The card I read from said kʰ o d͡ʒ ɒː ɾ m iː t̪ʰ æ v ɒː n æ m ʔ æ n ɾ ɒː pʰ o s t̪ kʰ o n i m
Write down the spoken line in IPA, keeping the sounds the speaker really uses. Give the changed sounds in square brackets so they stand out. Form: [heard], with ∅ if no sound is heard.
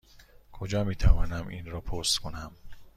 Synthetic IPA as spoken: kʰ o d͡ʒ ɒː [∅] m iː t̪ʰ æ v ɒː n æ m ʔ [i] n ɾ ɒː pʰ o s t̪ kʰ o n [æ] m